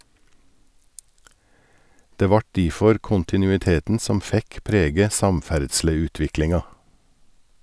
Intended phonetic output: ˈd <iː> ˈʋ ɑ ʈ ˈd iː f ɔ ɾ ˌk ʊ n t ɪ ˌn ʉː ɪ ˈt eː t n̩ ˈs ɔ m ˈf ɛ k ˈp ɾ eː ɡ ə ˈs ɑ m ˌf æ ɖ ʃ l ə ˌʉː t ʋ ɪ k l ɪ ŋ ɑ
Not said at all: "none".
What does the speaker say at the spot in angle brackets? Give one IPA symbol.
eː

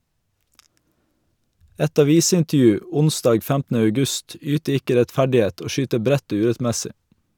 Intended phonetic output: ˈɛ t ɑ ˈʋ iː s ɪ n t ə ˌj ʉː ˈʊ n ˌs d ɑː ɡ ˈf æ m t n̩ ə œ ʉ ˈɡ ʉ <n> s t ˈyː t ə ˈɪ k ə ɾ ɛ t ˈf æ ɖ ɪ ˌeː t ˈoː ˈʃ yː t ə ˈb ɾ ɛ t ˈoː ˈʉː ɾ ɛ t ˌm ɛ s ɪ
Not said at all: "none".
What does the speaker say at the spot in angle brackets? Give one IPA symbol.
none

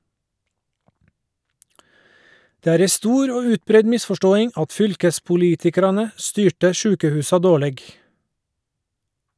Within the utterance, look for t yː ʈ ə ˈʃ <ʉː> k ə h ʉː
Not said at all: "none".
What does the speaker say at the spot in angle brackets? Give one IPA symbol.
ʉː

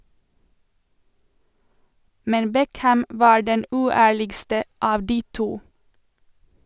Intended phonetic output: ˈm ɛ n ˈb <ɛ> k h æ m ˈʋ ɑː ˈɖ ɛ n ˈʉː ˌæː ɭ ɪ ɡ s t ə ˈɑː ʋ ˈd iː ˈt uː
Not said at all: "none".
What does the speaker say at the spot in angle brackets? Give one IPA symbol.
ɛ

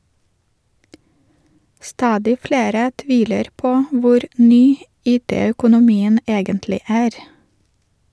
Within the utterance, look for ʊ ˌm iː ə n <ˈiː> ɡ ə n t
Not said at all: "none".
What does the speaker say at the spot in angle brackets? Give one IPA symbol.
eː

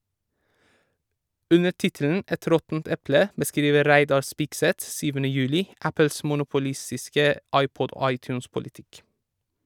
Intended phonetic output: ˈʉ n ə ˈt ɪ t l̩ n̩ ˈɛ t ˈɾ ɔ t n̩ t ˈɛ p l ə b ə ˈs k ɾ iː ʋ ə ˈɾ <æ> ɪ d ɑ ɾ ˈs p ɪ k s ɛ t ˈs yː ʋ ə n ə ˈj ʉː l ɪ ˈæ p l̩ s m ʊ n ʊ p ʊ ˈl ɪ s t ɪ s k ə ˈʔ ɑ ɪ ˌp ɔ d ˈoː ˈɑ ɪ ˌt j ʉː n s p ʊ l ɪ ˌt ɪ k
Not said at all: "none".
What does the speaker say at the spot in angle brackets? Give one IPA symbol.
æ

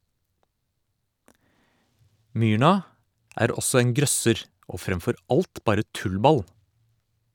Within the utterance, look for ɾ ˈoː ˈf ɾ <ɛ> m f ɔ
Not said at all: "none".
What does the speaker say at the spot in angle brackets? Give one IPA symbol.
ɛ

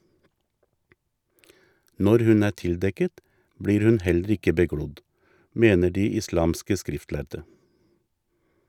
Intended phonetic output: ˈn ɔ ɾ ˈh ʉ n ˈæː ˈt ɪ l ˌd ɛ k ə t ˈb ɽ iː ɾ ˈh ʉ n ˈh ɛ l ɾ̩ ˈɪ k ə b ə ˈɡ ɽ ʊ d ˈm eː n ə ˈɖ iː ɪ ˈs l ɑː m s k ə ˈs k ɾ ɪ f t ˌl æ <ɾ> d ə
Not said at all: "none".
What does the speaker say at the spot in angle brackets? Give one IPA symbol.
ɾ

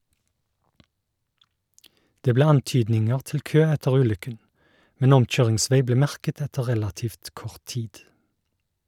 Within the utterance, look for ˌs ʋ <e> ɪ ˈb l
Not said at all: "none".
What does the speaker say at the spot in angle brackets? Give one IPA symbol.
e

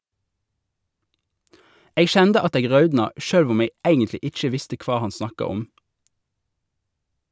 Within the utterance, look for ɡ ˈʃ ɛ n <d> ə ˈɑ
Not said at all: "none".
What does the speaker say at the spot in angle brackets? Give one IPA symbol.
d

